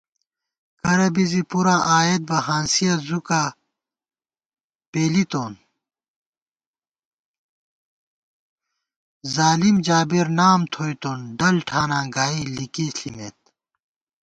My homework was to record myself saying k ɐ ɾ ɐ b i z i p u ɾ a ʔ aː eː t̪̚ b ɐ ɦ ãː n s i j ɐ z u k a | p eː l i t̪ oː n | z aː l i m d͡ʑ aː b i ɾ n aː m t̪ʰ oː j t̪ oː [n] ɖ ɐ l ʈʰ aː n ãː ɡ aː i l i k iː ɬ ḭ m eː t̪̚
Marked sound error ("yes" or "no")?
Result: no